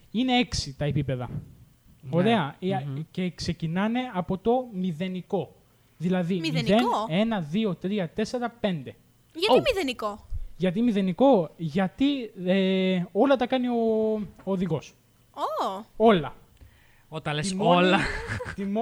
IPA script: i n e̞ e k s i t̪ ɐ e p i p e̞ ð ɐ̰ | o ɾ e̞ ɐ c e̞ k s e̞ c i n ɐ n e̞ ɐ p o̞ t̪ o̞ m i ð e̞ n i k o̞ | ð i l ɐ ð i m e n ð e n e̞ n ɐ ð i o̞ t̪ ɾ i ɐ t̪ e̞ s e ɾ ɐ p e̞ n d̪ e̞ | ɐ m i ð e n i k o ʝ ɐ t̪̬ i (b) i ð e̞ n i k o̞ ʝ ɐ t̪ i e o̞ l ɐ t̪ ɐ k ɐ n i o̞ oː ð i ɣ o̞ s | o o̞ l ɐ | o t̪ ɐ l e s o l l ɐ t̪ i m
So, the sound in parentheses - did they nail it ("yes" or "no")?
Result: no